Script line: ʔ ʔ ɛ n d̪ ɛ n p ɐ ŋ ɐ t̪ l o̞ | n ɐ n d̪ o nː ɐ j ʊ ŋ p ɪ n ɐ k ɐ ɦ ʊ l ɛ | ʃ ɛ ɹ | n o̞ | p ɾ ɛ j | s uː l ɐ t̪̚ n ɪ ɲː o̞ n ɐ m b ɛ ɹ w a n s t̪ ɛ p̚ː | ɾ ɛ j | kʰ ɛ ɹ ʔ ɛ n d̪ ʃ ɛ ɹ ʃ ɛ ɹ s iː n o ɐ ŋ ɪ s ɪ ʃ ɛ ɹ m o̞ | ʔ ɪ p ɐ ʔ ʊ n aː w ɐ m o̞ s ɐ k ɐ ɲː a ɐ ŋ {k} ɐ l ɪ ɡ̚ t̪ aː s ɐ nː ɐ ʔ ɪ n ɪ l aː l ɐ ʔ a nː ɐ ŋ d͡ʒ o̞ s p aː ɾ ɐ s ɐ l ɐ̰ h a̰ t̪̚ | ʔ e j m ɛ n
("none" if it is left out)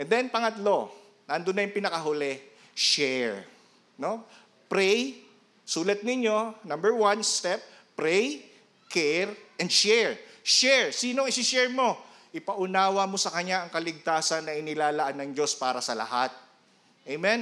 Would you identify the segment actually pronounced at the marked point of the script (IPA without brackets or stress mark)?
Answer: k